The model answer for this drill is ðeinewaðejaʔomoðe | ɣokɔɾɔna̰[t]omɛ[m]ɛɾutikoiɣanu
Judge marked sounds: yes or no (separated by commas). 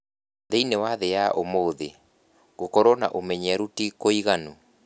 no, no